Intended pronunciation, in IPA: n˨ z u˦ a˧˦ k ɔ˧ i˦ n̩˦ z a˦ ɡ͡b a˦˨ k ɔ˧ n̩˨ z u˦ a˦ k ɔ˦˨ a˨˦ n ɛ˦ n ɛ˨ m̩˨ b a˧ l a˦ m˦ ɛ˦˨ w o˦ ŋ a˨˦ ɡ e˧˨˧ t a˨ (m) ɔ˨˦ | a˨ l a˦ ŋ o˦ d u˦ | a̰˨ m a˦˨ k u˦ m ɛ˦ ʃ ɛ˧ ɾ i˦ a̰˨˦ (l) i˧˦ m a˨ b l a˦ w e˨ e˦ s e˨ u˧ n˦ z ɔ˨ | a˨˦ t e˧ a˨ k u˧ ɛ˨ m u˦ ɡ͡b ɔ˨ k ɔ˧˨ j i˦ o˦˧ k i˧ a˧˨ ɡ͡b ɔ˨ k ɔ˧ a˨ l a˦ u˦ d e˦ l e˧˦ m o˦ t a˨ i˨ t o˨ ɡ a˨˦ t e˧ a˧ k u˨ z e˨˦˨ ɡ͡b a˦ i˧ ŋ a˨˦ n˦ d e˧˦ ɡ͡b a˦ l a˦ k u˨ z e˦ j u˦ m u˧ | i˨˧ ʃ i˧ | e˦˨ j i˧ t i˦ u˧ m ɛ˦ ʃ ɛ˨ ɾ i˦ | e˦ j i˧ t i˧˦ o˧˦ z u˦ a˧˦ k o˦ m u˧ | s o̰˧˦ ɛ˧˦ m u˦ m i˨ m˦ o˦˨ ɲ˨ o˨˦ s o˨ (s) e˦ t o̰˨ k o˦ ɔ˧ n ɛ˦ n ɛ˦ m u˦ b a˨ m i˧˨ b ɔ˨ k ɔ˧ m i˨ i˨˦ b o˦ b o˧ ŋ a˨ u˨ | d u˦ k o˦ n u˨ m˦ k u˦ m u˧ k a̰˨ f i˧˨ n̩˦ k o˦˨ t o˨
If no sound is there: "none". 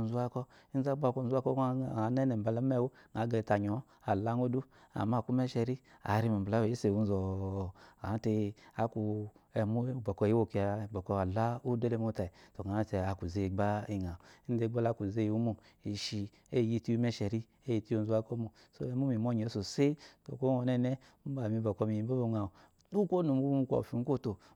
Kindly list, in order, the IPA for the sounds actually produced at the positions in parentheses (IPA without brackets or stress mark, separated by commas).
ɲ, ɾ, s